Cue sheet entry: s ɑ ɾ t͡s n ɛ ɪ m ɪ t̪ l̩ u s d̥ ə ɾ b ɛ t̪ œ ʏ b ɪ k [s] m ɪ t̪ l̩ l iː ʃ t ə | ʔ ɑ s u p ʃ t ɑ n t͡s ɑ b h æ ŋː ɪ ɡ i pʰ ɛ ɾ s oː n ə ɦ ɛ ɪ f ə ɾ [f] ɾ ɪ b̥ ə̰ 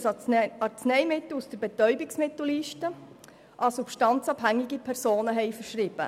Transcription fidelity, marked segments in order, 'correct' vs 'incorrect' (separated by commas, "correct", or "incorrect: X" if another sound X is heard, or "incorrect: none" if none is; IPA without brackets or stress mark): correct, incorrect: ʃ